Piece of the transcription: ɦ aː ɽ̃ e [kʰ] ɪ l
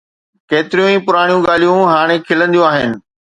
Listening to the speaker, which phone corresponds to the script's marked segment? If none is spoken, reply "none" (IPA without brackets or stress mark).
kʰ